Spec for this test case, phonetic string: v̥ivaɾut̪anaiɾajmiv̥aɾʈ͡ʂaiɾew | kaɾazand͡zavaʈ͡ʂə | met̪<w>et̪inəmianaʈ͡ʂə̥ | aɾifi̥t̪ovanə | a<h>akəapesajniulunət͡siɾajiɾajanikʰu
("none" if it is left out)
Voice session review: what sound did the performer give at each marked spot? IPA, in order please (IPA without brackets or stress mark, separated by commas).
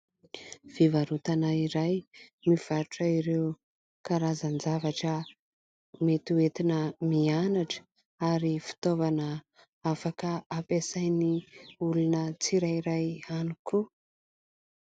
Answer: u, f